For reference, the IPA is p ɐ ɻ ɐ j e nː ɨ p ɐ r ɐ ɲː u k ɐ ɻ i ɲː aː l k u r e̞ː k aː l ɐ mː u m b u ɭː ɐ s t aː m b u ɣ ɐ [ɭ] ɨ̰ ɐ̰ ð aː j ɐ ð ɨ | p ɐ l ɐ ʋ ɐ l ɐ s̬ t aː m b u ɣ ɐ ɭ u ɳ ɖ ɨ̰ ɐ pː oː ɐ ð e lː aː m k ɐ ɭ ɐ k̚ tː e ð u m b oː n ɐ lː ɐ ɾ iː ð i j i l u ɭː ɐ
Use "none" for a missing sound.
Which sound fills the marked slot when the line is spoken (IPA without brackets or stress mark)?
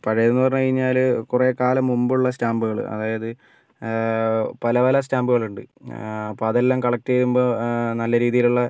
ɭ